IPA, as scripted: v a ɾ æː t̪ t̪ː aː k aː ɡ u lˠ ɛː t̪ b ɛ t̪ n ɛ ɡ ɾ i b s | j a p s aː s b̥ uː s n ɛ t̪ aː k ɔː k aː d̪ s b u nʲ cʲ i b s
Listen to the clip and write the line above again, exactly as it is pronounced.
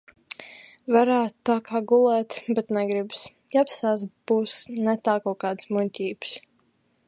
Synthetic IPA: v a ɾ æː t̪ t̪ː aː k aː ɡ u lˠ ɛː t̪ b ɛ t̪ n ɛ ɡ ɾ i b s | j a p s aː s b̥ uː s n ɛ t̪ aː k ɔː k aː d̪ s m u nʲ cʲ iː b s